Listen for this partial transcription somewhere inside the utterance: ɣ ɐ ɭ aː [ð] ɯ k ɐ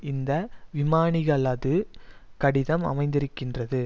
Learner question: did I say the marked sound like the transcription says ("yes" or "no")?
yes